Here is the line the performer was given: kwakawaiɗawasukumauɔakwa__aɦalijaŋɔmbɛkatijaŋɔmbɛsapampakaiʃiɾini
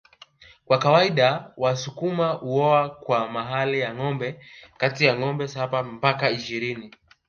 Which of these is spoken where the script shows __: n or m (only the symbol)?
m